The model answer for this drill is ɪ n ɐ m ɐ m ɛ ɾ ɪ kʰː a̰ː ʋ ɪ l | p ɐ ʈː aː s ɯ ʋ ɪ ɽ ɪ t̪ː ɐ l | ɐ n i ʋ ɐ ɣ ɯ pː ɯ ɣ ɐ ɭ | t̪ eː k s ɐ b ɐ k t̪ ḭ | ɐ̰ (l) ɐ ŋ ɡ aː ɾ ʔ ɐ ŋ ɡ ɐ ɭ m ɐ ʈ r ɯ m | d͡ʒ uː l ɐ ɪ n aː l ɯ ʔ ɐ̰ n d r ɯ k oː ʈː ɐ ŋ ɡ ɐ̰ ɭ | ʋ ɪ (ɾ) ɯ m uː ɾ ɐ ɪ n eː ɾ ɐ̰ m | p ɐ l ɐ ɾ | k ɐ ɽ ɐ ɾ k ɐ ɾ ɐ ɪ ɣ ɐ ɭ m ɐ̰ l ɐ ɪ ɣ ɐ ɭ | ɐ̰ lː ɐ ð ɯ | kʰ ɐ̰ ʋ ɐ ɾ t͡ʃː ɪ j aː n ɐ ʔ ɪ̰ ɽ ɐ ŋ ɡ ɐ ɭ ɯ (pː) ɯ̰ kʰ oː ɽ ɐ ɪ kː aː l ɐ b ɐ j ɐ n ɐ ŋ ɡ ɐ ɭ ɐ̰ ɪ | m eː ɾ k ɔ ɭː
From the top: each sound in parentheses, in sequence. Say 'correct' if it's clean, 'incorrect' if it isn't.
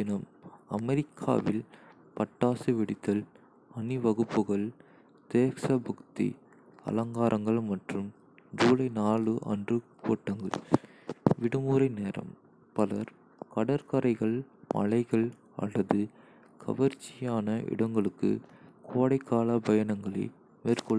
correct, incorrect, incorrect

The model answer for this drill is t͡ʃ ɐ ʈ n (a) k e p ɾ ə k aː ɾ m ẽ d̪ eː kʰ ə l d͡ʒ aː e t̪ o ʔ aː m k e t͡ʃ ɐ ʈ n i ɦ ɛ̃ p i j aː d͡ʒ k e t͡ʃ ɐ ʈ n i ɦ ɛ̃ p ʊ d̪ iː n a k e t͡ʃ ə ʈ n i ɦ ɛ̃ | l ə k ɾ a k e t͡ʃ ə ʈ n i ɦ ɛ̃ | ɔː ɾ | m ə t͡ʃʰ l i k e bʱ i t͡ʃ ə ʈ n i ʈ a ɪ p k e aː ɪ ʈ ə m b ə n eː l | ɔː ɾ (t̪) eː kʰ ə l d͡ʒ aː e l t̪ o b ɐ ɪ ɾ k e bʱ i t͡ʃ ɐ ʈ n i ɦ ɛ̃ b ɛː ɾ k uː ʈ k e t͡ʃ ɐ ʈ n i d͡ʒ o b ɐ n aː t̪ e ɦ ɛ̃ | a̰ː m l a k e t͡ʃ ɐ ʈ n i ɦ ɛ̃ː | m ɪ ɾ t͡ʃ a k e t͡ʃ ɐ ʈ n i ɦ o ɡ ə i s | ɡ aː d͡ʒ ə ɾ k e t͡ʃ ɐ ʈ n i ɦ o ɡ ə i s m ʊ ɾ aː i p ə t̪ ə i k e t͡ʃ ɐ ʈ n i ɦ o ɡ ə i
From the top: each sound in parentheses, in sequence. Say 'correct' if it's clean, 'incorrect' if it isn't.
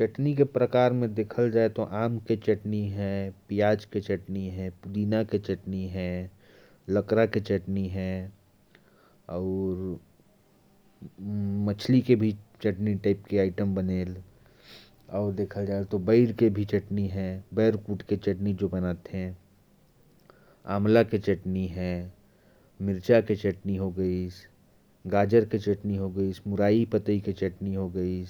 incorrect, incorrect

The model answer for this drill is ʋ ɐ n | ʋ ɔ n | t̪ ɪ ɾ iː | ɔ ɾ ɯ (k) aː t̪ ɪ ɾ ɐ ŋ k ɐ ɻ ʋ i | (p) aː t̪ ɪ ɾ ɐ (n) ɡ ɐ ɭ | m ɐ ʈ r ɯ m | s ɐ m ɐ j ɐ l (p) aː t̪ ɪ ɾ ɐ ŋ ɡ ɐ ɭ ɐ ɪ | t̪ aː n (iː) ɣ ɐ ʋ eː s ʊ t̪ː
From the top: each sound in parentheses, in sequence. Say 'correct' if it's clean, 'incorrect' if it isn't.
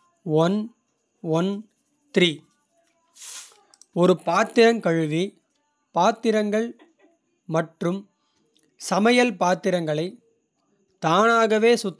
incorrect, correct, incorrect, correct, incorrect

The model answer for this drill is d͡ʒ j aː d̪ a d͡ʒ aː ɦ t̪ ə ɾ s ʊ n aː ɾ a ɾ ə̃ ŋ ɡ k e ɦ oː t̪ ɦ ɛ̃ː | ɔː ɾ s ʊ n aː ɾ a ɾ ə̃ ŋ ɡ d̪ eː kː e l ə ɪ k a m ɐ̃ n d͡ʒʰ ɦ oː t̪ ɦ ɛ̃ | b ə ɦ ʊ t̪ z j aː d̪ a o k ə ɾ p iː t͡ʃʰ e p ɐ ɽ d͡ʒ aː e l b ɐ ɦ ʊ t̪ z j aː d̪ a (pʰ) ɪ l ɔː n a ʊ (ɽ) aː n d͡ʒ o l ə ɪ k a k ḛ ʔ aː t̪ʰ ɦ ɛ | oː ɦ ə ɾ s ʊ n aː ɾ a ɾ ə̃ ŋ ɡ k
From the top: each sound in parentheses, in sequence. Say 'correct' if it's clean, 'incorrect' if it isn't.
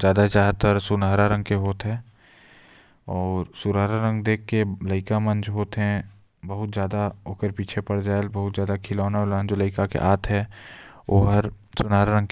incorrect, incorrect

